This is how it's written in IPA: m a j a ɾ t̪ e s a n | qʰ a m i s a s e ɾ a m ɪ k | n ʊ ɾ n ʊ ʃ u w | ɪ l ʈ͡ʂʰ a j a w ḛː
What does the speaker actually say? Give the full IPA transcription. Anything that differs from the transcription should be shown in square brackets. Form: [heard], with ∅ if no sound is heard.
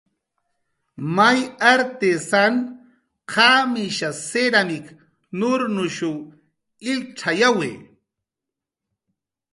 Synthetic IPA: m a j a ɾ t̪ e s a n | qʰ a m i [ʃ] a s e ɾ a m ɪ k | n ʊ ɾ n ʊ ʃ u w | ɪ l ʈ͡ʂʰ a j a w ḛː